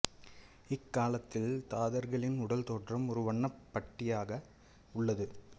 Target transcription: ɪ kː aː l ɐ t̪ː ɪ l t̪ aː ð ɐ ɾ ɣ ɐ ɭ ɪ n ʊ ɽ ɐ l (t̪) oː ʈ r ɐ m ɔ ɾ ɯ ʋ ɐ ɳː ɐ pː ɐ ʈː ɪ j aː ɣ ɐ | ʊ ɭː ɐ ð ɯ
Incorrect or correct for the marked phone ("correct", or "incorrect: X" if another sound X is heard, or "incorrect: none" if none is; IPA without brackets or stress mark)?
correct